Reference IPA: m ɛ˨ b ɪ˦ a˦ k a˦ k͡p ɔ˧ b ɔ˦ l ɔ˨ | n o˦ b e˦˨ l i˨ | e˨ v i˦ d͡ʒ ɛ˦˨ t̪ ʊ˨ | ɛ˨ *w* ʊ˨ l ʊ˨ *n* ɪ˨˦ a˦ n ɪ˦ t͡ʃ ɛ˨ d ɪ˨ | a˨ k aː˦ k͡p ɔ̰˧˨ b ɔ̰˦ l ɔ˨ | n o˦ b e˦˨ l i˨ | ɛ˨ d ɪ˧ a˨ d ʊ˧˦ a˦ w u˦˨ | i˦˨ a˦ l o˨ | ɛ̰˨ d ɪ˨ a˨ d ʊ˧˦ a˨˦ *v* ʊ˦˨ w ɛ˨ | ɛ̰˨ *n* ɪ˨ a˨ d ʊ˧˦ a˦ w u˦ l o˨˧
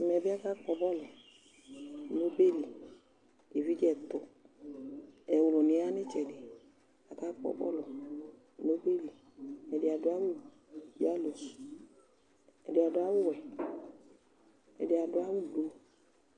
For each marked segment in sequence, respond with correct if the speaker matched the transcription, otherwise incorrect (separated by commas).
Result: correct, correct, incorrect, incorrect